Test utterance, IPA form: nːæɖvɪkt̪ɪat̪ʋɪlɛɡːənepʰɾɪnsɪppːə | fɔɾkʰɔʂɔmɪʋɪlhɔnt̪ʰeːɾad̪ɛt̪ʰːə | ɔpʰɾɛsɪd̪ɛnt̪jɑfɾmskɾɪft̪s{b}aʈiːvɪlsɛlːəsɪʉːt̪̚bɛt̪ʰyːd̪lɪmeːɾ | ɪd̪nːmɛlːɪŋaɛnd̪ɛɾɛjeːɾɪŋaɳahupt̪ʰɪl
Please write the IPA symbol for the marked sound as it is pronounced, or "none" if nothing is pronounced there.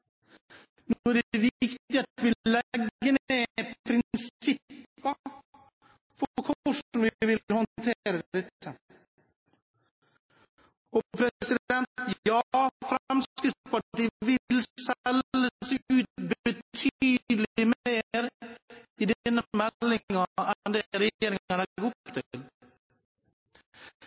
p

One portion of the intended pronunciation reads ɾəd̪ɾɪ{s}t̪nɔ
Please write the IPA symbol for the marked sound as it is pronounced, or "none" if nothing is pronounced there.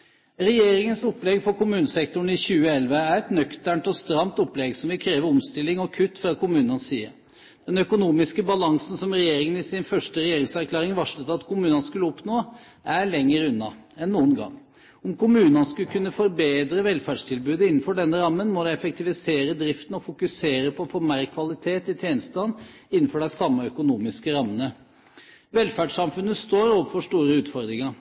f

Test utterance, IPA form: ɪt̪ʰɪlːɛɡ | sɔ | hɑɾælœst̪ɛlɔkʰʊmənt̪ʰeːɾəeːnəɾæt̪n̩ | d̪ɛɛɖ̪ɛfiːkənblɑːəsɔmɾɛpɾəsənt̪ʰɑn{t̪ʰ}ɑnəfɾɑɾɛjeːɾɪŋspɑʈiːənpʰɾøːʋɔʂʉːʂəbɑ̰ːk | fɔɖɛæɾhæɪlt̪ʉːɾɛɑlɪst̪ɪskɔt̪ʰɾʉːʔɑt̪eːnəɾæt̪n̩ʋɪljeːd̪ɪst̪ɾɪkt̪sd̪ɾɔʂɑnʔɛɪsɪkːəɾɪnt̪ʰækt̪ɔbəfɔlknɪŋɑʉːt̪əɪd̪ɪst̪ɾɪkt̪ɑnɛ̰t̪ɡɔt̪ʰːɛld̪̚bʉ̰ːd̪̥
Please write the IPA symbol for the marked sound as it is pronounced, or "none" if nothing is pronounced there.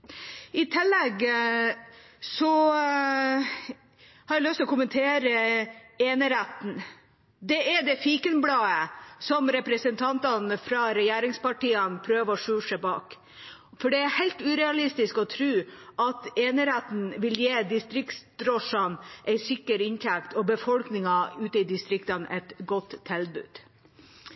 t̪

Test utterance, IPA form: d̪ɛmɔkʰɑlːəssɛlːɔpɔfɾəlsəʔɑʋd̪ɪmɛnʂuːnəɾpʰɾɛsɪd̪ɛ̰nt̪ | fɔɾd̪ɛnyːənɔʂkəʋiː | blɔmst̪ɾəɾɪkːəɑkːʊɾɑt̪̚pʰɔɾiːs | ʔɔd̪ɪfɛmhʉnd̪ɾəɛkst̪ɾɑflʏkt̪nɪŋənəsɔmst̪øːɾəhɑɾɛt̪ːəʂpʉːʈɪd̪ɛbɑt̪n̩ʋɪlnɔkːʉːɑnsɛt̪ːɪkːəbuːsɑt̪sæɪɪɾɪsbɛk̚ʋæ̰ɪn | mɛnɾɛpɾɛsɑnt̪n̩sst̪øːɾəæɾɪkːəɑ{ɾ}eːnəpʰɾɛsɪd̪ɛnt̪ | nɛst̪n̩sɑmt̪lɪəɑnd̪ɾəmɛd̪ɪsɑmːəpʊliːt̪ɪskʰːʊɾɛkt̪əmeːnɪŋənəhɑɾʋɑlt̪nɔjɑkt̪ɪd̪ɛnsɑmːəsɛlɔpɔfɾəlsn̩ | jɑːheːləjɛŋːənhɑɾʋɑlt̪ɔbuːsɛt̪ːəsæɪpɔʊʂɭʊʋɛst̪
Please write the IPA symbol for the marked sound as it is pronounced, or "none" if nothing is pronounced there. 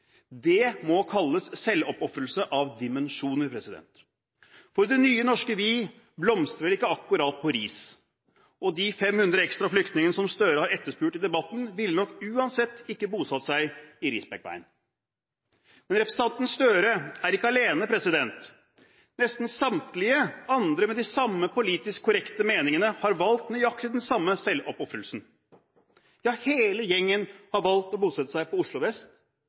l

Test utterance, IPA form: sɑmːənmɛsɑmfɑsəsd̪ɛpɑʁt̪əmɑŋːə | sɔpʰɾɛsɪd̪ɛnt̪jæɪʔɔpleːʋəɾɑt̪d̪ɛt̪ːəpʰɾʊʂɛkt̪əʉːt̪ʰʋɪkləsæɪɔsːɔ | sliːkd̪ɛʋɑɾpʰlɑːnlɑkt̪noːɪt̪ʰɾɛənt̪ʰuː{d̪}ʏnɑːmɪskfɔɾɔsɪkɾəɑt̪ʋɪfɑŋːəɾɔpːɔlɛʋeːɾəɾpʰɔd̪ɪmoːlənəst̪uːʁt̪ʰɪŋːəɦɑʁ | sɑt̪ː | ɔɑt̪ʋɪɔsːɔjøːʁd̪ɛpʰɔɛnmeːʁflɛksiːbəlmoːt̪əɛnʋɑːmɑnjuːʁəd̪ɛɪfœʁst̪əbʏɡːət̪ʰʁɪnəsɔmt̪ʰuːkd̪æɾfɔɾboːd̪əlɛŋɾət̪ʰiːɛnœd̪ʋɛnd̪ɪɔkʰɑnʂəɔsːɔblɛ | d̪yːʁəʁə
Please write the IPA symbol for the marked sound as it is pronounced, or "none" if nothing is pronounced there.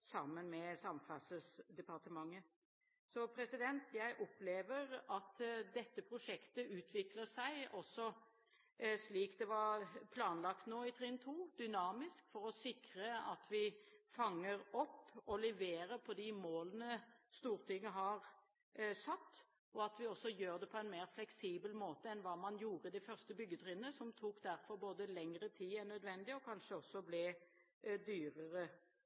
d̪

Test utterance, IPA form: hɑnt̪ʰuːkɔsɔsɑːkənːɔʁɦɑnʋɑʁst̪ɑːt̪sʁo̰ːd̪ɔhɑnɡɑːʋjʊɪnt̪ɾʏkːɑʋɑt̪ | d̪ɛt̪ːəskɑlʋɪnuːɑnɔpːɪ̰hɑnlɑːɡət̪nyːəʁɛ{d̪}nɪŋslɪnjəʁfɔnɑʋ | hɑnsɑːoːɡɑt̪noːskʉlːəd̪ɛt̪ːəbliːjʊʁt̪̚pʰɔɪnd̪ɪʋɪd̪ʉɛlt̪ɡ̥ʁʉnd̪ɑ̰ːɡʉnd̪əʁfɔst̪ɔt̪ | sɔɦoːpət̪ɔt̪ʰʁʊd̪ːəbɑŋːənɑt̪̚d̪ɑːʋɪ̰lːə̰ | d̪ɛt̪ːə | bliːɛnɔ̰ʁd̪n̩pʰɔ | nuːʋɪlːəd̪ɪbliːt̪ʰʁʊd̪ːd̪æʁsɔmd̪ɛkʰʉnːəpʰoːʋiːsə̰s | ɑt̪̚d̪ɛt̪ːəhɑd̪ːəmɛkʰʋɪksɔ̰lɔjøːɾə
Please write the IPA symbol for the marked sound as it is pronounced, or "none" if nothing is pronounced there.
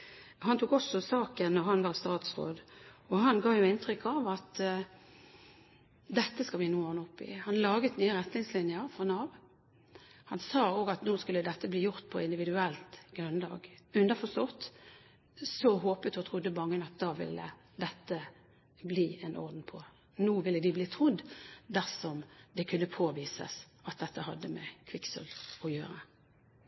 t̪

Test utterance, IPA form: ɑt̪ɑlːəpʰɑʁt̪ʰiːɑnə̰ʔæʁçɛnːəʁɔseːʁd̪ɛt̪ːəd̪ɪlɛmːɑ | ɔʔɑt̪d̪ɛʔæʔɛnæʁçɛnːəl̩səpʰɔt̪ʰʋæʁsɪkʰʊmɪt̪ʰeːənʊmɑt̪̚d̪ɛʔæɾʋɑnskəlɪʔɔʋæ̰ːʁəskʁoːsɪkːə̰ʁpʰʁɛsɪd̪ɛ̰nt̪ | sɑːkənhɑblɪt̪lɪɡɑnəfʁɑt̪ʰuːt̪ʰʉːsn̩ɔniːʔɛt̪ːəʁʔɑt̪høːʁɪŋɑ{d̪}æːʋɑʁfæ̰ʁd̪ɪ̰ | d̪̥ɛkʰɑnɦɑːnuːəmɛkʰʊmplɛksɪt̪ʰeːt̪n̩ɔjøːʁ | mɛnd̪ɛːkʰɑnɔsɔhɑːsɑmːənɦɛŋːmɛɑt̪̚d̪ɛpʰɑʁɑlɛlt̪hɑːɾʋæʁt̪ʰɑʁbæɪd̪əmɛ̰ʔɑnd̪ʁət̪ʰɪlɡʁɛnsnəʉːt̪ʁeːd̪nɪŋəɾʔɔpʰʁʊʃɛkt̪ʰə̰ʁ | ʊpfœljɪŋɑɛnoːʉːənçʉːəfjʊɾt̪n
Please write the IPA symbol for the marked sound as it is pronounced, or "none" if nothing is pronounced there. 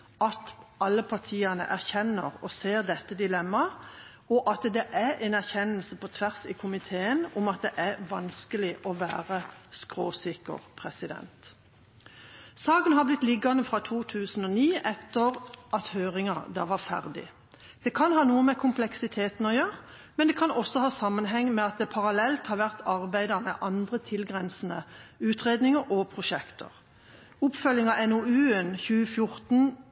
d̪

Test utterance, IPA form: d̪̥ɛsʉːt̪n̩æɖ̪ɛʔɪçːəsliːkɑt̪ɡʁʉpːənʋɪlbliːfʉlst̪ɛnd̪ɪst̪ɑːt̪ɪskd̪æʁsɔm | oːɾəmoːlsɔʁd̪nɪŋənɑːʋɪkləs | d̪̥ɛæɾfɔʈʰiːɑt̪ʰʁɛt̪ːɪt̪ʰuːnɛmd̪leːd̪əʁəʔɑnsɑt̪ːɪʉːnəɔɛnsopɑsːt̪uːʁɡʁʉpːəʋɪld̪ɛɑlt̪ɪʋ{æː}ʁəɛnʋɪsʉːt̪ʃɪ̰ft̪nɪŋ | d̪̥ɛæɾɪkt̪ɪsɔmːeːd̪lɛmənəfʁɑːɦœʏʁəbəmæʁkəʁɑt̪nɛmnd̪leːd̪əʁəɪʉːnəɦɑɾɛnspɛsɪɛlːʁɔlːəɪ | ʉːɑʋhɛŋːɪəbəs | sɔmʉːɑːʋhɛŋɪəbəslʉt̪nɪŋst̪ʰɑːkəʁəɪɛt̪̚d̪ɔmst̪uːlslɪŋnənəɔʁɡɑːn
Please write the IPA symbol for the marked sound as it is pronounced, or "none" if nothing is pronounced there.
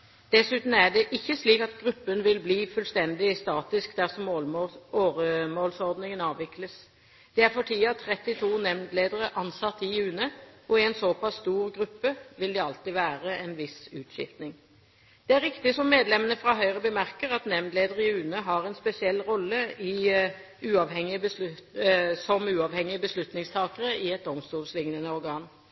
æː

